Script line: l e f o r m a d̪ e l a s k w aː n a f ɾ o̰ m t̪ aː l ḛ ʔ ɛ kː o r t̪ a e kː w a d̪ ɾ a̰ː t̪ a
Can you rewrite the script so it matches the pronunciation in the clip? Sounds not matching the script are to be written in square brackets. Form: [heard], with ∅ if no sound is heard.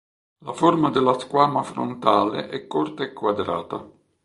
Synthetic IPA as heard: l [a] f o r m a d̪ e l a s k w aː [m] a f ɾ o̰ [n] t̪ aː l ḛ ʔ ɛ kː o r t̪ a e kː w a d̪ ɾ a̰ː t̪ a